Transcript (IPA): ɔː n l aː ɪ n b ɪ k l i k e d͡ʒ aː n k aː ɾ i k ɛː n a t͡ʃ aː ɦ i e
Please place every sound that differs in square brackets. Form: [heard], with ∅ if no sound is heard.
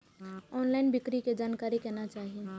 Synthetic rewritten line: ɔː n l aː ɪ n b ɪ k [ɾ] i k e d͡ʒ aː n k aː ɾ i k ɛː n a t͡ʃ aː ɦ i e